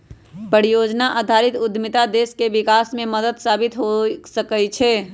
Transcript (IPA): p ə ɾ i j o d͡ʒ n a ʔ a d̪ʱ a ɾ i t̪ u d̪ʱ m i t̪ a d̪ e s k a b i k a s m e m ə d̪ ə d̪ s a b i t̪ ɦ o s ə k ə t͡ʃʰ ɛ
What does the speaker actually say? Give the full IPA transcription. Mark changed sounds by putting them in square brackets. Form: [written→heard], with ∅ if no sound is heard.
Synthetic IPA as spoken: p ə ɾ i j o d͡ʒ n a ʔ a d̪ʱ a ɾ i t̪ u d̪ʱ m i t̪ a d̪ e s k [a→e] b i k a s m e m ə d̪ ə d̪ s a b i t̪ ɦ o s ə k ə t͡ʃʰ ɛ